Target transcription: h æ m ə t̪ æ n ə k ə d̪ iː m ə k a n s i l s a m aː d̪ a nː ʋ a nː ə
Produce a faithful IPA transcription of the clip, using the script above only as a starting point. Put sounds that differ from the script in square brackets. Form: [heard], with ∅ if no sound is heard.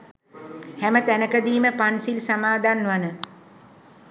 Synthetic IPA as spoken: h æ m ə t̪ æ n ə k ə d̪ iː m ə [p] a n s i l s a m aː d̪ a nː ʋ a [n] ə